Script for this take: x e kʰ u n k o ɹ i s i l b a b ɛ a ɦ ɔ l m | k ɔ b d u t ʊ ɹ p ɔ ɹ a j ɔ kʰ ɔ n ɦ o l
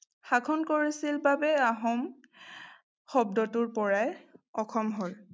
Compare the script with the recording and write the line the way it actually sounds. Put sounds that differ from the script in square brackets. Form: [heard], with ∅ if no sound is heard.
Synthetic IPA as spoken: x [a] kʰ [ɔ] n k o ɹ i s i l b a b ɛ a ɦ ɔ [∅] m | [x] ɔ b d [ɔ] t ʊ ɹ p ɔ ɹ a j ɔ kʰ ɔ [m] ɦ o l